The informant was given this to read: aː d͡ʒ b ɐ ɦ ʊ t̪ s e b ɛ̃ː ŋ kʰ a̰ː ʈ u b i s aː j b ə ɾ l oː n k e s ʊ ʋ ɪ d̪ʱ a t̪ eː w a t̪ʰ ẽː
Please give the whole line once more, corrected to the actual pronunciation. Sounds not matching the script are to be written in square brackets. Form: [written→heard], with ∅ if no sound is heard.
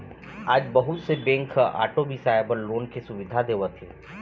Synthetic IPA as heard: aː d͡ʒ b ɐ ɦ ʊ t̪ s e b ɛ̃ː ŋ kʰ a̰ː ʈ [u→o] b i s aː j b ə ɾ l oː n k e s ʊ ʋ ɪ d̪ʱ a [t̪→d̪] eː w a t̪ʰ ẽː